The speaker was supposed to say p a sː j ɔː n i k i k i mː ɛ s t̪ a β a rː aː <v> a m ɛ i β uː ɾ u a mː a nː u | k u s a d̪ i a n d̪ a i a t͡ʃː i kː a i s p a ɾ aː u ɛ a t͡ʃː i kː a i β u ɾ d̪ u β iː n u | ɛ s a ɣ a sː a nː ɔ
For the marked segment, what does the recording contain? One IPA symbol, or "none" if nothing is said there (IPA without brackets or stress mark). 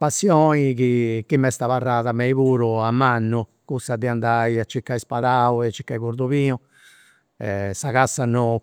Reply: ð